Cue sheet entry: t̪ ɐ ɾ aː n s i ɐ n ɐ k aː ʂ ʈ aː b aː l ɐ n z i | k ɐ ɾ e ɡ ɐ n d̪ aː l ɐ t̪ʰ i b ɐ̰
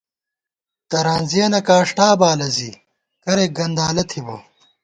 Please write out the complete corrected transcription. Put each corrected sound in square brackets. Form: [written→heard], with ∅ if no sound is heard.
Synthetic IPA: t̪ ɐ ɾ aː n [s→z] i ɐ n ɐ k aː ʂ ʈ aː b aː l ɐ [n→∅] z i | k ɐ ɾ e ɡ ɐ n d̪ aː l ɐ t̪ʰ i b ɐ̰